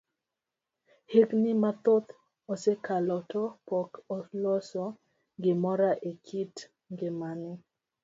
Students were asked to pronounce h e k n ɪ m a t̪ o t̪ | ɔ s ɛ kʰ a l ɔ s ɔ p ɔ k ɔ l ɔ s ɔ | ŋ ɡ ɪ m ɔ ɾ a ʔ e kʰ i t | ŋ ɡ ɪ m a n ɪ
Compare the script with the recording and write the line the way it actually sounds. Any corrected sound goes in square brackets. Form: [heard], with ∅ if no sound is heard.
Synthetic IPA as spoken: h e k n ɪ m a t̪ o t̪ | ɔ s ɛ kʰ a l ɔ [t] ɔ p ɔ k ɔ l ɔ s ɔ | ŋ ɡ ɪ m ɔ ɾ a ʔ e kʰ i t | ŋ ɡ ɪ m a n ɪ